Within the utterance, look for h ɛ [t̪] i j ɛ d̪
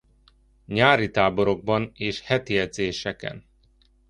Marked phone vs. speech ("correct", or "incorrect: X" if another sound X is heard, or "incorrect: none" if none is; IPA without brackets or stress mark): correct